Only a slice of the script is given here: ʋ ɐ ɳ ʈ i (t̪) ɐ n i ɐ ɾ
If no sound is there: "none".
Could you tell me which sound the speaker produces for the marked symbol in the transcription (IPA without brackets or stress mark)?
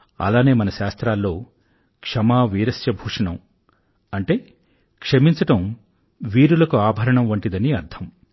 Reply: d̪